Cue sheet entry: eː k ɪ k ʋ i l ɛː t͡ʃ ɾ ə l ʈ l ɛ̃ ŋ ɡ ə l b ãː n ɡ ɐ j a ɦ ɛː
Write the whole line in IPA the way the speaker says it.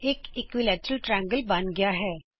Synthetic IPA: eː k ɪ k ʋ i l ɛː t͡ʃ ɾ ə l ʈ ɾ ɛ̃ ŋ ɡ ə l b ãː n ɡ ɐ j a ɦ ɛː